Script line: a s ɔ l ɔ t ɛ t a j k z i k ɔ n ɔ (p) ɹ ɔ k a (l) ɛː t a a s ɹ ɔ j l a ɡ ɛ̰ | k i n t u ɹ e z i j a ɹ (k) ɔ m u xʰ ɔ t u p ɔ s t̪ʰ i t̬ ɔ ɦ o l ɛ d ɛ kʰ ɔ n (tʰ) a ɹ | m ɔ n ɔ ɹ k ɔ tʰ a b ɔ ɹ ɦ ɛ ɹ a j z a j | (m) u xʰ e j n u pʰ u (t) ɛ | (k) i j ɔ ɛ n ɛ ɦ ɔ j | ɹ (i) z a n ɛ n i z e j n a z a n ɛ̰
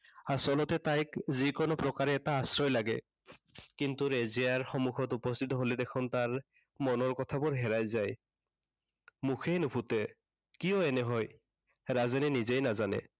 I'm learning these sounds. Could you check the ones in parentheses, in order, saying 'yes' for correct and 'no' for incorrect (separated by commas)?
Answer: yes, no, no, no, yes, yes, yes, no